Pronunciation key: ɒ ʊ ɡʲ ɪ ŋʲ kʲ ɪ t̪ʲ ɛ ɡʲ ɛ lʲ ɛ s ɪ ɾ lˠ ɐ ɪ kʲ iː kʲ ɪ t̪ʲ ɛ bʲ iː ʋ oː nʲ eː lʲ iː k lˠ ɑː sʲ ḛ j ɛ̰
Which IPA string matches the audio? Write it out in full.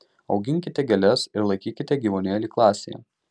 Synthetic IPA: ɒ ʊ ɡʲ ɪ ŋʲ kʲ ɪ t̪ʲ ɛ ɡʲ ɛ lʲ ɛ s ɪ ɾ lˠ ɐ ɪ kʲ iː kʲ ɪ t̪ʲ ɛ ɡʲ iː ʋ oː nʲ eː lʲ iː k lˠ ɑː sʲ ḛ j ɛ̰